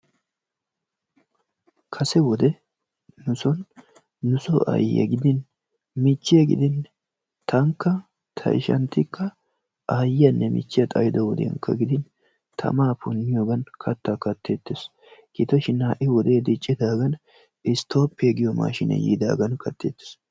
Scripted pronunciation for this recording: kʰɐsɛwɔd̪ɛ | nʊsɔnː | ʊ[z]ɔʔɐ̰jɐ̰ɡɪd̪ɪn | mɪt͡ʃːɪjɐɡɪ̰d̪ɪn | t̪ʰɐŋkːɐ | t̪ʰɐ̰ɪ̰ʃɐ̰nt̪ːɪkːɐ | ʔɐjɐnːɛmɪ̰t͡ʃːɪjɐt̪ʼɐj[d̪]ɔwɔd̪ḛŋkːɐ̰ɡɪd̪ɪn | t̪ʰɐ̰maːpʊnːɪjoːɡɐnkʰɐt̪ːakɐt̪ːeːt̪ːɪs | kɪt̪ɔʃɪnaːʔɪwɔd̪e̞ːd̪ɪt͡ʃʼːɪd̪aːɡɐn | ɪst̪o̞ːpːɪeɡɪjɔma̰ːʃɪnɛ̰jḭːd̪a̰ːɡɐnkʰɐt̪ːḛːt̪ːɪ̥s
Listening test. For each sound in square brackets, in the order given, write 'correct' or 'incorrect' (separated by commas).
incorrect, correct